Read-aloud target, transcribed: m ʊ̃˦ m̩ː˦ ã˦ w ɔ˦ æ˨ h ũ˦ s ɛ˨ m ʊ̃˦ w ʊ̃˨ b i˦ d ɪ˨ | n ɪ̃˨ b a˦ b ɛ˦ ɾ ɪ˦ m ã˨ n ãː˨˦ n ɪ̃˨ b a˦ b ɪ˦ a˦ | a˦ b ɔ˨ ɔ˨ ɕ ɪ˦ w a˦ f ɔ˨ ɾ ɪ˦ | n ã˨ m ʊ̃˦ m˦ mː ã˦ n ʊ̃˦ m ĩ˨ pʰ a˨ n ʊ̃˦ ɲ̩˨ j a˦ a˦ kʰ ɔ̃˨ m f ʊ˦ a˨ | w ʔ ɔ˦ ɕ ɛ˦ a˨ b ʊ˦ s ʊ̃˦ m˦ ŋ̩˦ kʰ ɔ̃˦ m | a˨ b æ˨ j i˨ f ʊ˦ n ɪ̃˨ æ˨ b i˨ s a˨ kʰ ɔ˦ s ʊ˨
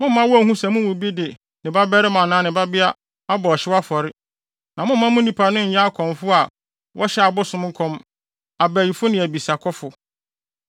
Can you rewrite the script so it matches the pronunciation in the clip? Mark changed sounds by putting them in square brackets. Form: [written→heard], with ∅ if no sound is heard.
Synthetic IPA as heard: m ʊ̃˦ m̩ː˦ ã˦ w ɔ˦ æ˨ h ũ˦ s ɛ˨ m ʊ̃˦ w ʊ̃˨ b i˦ d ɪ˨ | n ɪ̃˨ b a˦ b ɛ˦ ɾ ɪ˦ m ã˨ n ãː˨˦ n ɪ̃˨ b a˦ b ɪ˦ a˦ | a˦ b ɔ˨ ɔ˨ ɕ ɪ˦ w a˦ f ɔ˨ ɾ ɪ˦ | n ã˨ m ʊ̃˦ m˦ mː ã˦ [n→m] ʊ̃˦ [m→n] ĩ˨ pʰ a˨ n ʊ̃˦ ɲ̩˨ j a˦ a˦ kʰ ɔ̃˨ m f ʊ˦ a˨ | w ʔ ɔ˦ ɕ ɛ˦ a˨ b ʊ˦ s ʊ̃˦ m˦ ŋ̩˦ kʰ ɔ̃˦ m | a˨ b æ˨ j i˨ f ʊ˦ n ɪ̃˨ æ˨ b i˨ s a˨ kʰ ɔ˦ [s→f] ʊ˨